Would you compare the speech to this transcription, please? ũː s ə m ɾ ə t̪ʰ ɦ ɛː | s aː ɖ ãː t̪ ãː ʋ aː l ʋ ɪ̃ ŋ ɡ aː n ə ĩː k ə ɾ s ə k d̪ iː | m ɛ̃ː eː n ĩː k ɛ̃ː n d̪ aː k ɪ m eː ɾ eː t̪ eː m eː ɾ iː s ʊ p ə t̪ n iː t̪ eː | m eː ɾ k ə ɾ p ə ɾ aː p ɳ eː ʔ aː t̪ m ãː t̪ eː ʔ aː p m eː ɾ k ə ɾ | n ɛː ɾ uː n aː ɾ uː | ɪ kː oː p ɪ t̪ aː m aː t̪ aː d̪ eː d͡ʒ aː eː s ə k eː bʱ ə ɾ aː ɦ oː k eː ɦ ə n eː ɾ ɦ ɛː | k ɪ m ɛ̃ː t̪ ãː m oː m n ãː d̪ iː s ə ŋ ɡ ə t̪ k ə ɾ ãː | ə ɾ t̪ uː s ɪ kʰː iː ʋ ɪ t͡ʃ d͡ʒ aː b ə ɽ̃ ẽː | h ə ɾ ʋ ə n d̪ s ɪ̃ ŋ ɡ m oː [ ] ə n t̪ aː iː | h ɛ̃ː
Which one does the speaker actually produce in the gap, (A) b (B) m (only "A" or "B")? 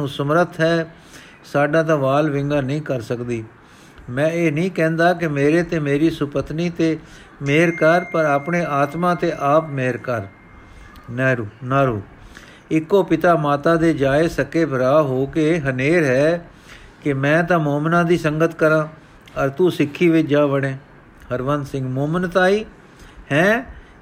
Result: B